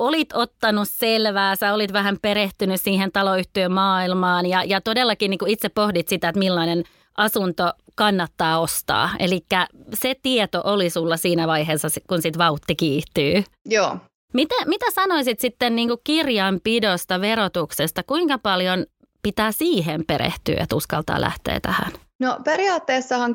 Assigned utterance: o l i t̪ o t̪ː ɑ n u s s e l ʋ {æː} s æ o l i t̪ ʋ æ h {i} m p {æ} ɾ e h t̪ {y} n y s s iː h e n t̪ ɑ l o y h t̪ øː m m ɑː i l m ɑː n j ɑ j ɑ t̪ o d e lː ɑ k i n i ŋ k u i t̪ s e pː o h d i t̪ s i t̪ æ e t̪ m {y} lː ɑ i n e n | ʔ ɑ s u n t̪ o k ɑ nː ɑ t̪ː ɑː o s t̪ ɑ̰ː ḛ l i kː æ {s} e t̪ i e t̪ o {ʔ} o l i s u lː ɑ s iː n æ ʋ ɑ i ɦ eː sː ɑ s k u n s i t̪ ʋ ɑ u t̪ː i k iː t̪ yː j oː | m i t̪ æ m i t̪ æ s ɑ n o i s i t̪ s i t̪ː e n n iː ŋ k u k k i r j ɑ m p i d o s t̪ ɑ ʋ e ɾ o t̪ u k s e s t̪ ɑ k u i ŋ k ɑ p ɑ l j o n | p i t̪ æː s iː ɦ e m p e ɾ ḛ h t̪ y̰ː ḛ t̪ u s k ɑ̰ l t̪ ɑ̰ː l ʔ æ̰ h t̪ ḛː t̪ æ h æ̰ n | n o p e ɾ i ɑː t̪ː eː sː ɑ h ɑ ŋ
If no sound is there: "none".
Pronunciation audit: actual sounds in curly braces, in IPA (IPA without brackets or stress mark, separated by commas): æː, æ, e, y, i, s, ʔ